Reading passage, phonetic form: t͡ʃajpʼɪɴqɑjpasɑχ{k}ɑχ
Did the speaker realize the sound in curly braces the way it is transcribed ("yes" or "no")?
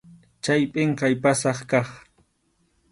yes